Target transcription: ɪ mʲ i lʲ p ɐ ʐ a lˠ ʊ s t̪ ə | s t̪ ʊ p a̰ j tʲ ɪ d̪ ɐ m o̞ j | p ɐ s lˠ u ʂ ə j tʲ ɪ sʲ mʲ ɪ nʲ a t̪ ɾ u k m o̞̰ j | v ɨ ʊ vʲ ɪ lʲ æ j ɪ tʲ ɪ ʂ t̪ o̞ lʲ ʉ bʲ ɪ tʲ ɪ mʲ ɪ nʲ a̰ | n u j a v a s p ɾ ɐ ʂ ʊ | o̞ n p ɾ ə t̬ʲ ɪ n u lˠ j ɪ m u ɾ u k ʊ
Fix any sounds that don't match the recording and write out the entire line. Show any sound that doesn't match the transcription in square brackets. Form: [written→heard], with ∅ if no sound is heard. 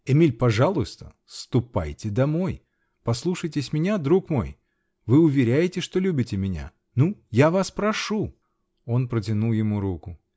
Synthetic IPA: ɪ mʲ i lʲ p ɐ ʐ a lˠ ʊ s t̪ ə | s t̪ ʊ p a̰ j tʲ ɪ d̪ ɐ m o̞ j | p ɐ s lˠ u ʂ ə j tʲ ɪ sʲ mʲ ɪ nʲ a [t̪→d̪] ɾ u k m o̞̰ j | v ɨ ʊ vʲ ɪ [lʲ→ɾʲ] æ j ɪ tʲ ɪ ʂ t̪ o̞ lʲ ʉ bʲ ɪ tʲ ɪ mʲ ɪ nʲ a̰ | n u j a v a s p ɾ ɐ ʂ [ʊ→u] | o̞ n p ɾ ə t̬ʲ ɪ n u lˠ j ɪ m u ɾ u k ʊ